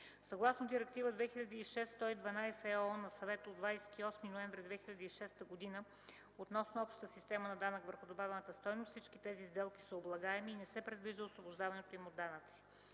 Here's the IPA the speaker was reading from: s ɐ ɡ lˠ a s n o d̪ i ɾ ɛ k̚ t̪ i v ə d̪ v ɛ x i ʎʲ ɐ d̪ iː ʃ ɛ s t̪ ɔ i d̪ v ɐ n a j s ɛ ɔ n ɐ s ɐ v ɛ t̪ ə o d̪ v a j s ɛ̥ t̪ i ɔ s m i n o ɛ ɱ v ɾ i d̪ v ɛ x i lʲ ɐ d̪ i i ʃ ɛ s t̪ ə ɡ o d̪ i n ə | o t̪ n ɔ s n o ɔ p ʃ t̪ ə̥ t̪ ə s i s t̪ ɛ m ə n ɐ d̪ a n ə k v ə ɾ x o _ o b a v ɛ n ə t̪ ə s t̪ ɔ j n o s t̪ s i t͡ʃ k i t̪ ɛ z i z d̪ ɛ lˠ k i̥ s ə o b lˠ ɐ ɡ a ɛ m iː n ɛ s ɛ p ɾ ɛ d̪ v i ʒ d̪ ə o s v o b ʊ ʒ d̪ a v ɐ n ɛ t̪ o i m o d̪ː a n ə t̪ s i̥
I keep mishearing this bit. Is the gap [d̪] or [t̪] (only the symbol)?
d̪